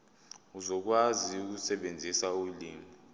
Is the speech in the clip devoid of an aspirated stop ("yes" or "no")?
yes